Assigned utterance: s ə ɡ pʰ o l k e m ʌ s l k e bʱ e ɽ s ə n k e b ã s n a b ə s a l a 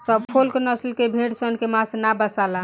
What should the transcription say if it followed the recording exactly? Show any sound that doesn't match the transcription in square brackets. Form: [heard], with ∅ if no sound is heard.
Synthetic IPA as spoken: s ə [b] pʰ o l k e [n] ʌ s l k e bʱ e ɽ s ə n k e [m] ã s n a b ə s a l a